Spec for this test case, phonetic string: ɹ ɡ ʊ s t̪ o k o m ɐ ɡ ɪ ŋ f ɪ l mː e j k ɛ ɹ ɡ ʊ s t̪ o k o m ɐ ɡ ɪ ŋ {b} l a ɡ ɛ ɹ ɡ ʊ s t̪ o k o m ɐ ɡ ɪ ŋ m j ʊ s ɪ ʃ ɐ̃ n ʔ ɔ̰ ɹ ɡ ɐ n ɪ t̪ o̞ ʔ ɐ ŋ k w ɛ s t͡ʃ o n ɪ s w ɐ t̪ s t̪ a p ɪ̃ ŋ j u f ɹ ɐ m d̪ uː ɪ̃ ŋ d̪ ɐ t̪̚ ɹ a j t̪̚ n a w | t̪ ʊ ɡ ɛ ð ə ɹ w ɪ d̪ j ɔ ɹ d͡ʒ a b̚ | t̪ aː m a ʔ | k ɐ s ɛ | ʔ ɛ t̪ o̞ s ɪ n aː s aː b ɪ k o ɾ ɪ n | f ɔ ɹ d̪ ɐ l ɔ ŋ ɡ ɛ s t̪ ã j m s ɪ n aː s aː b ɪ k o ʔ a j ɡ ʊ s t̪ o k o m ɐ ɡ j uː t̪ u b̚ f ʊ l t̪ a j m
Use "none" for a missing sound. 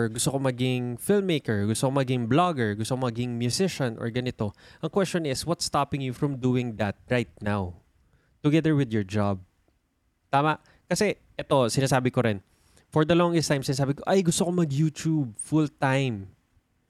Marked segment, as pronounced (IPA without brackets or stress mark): b